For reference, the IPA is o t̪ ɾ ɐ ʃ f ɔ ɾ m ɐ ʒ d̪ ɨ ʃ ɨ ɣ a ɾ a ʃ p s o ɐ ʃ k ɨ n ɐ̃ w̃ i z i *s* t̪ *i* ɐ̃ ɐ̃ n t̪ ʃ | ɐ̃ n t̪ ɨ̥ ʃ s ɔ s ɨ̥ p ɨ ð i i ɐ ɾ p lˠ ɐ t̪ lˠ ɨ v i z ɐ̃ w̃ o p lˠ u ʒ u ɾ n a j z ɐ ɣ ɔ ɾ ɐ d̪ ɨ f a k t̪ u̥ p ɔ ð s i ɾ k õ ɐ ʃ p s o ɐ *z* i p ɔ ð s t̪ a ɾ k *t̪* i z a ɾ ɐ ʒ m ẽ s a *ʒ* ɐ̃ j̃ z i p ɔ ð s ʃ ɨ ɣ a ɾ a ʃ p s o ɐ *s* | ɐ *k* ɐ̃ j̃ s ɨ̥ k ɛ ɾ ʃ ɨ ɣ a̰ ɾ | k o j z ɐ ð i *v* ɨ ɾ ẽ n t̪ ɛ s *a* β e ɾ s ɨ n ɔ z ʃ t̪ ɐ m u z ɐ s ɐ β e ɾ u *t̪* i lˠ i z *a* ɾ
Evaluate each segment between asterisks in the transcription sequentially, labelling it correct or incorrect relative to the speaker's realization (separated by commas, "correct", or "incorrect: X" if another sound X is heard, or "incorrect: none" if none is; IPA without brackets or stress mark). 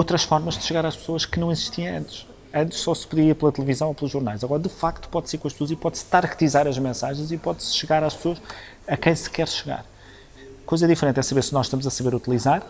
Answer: incorrect: ʃ, correct, correct, correct, correct, incorrect: ʃ, correct, incorrect: f, incorrect: ɐ, correct, correct